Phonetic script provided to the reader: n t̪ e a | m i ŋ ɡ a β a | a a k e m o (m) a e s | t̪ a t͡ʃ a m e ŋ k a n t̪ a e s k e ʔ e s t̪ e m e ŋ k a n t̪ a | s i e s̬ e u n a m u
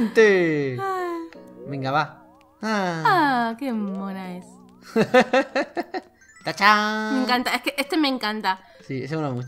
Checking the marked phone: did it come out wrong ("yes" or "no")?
yes